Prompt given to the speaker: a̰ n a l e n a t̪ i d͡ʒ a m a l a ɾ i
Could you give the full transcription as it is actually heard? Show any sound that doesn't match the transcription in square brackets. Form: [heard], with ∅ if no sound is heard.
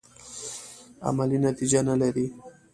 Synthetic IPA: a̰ [m] a l [i] n a t̪ i d͡ʒ a [n] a l a ɾ i